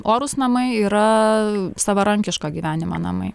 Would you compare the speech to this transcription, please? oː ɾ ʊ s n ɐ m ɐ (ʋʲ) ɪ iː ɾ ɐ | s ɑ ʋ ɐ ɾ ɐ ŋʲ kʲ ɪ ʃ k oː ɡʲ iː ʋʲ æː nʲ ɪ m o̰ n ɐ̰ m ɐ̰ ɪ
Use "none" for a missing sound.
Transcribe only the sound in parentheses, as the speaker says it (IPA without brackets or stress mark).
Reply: none